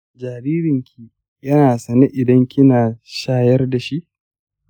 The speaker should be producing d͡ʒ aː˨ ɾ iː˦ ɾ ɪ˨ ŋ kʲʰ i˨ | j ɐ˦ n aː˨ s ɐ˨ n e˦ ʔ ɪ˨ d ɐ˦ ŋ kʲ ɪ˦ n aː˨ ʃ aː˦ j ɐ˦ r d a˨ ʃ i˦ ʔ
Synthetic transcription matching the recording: d͡ʒ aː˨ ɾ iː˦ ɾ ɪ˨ ŋ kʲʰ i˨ | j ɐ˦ n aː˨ s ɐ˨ n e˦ ʔ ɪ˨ d ɐ˦ ŋ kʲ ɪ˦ n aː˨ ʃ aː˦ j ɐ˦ r d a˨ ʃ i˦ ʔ